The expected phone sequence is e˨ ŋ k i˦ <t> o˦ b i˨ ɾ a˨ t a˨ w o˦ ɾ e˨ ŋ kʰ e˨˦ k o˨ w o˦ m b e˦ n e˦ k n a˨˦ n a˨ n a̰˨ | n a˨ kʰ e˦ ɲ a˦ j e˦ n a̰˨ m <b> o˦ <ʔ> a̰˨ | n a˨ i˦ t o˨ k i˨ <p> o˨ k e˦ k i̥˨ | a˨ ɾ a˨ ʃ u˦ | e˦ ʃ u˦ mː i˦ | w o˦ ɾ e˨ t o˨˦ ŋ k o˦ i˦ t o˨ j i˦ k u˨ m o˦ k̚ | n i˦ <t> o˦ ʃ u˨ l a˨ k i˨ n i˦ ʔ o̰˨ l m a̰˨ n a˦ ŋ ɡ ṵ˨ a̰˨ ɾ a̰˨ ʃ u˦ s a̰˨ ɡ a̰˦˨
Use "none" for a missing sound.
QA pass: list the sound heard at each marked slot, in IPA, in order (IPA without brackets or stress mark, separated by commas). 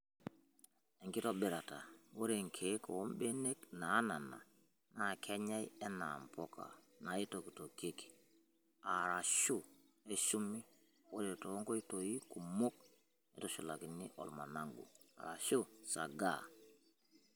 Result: t, p, k, t, t